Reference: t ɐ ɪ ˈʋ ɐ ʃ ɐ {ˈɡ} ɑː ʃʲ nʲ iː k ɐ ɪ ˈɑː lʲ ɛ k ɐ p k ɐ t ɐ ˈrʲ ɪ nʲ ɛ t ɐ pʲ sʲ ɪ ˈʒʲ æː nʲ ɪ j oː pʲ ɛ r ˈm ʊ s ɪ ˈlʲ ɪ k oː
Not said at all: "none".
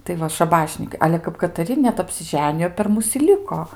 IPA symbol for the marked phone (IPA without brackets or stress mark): b